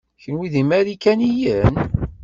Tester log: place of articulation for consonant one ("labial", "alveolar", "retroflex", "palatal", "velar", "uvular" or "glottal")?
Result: palatal